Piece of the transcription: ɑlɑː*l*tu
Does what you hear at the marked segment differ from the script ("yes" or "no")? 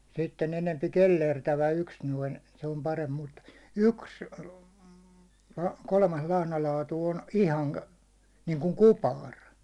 yes